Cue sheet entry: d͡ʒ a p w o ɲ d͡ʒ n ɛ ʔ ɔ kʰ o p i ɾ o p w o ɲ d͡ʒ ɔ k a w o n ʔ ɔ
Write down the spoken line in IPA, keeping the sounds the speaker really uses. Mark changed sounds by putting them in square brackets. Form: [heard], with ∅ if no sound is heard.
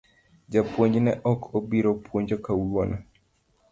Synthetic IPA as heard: d͡ʒ a p w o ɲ d͡ʒ n ɛ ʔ ɔ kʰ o [b] i ɾ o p w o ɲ d͡ʒ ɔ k a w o n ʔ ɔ